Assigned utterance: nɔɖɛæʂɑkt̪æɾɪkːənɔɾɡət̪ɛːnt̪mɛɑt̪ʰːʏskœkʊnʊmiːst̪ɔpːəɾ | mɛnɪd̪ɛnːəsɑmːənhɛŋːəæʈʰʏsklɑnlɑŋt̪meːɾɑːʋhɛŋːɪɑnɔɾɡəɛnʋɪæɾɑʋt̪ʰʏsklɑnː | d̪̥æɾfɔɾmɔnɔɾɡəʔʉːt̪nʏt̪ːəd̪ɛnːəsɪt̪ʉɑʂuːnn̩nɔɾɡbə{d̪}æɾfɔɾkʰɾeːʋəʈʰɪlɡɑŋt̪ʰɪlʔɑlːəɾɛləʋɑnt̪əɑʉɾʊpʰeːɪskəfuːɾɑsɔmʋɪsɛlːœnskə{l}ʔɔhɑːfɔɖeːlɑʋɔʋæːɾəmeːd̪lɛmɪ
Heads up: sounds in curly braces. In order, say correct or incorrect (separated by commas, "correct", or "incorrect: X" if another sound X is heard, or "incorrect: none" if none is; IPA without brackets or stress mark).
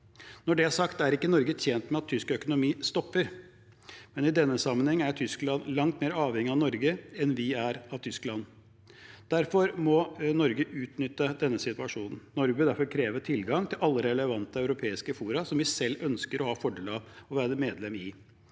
correct, incorrect: ɾ